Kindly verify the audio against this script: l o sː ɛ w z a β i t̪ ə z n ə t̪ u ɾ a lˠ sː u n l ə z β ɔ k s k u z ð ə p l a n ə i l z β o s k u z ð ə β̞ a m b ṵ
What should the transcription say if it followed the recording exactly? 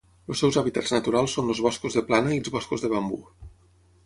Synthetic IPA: l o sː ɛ w z a β i t̪ a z n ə t̪ u ɾ a lˠ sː o n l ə z β ɔ s k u z ð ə p l a n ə i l z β ɔ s k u z ð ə β̞ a m b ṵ